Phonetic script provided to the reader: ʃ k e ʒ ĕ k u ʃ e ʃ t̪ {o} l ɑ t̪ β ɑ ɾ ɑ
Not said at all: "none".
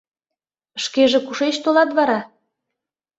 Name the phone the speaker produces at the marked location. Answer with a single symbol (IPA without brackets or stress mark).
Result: o